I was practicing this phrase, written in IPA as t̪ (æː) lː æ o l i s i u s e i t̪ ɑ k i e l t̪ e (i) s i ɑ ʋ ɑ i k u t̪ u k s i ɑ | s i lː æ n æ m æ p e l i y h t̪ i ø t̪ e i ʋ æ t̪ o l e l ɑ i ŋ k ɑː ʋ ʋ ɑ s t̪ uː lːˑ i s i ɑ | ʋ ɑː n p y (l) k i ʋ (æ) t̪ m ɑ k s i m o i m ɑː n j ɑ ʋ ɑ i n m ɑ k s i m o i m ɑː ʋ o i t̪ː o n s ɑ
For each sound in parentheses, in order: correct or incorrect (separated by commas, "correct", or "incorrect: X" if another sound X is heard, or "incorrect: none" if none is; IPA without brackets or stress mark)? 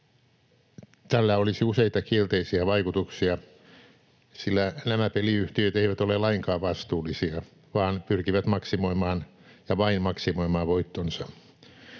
incorrect: æ, correct, incorrect: r, correct